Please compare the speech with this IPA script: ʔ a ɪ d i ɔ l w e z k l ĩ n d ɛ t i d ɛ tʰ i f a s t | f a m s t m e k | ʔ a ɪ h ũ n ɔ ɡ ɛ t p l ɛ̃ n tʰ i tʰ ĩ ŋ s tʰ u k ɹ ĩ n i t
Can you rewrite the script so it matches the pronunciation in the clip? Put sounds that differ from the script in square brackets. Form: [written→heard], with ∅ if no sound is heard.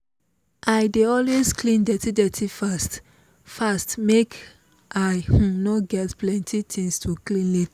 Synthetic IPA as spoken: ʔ a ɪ d [i→e] ɔ l w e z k l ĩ n d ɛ t i d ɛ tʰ i f a s t | f a [m→∅] s t m e k | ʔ a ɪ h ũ n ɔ ɡ ɛ t p l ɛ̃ n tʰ i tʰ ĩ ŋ s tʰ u k [ɹ→l] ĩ n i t